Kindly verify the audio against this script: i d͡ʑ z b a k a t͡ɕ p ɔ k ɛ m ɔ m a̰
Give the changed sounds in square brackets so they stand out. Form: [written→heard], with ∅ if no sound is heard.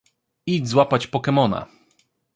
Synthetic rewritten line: i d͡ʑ z [b→w] a [k→p] a t͡ɕ p ɔ k ɛ m ɔ [m→n] a̰